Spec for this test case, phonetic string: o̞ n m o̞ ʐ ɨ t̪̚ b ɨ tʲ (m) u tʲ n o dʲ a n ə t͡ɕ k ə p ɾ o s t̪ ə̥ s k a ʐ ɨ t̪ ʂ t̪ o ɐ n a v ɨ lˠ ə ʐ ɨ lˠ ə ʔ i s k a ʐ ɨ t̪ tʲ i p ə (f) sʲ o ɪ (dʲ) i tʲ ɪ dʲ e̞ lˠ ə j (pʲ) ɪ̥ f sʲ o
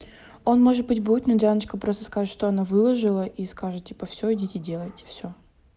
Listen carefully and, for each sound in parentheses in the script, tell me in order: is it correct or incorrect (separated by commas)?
incorrect, correct, correct, incorrect